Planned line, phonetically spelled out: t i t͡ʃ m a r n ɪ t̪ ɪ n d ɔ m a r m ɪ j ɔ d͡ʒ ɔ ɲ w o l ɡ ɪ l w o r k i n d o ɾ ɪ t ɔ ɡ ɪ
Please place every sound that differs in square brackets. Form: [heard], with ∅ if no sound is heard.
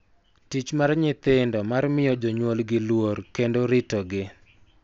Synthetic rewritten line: t i t͡ʃ m a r [ɲ] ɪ t̪ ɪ n d ɔ m a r m ɪ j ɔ d͡ʒ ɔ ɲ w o l ɡ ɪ l w o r k [e] n d o ɾ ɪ t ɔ ɡ ɪ